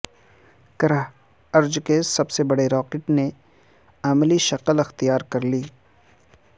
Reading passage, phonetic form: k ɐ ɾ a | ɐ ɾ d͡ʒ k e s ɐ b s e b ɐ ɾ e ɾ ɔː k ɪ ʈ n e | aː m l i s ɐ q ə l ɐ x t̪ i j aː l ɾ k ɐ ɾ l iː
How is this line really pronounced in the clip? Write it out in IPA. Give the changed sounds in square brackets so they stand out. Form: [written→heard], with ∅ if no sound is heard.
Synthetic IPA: k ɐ ɾ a | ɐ ɾ d͡ʒ k e s ɐ b s e b ɐ [ɾ→ɽ] e ɾ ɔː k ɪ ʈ n e | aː m l i [s→ʃ] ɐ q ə l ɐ x t̪ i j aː [l→∅] ɾ k ɐ ɾ l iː